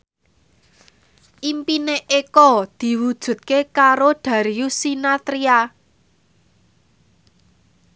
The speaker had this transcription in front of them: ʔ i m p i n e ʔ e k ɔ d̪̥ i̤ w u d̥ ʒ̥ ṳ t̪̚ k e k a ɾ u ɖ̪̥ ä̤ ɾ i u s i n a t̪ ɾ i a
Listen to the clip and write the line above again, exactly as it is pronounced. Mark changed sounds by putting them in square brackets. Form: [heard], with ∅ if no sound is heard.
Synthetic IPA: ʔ i m p i n e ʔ e k ɔ d̪̥ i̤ w u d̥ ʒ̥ ṳ t̪̚ k e k a ɾ [o] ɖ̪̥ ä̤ ɾ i u s i n a t̪ ɾ i a